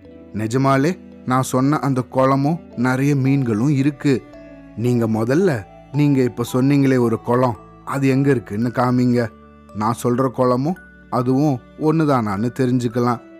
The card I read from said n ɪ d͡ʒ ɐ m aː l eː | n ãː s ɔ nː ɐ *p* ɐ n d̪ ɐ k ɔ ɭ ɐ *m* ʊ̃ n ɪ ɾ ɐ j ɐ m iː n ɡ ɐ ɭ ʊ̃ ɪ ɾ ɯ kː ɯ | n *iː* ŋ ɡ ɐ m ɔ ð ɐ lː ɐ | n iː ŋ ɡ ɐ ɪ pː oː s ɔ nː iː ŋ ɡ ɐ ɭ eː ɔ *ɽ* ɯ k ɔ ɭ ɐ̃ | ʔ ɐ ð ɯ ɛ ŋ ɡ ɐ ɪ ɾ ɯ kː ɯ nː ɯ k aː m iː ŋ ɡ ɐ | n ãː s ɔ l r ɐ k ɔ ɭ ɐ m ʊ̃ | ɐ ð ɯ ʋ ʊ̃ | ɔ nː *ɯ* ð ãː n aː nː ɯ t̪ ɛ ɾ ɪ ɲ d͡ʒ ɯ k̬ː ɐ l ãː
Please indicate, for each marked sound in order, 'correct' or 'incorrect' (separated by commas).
incorrect, correct, correct, incorrect, correct